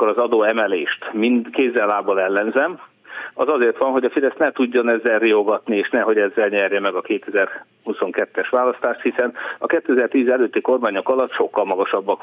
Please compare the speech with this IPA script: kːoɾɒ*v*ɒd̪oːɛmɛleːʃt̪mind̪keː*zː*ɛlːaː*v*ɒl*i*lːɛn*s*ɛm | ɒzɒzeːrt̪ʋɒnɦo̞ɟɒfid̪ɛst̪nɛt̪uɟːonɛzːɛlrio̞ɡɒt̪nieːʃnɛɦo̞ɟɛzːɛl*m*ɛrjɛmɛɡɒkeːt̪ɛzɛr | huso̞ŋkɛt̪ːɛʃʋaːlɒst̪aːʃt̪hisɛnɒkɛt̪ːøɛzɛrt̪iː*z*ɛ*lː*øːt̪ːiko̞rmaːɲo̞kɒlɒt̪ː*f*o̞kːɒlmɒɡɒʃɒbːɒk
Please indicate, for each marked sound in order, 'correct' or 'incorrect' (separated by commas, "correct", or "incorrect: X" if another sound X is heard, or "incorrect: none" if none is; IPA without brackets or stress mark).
incorrect: z, correct, incorrect: b, incorrect: ɛ, incorrect: z, incorrect: ɲ, correct, incorrect: l, incorrect: ʃ